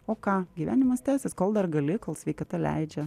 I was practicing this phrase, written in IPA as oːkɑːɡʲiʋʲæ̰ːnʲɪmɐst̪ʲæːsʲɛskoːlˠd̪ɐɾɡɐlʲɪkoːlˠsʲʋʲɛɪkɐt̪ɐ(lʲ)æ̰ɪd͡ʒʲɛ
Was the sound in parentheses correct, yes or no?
yes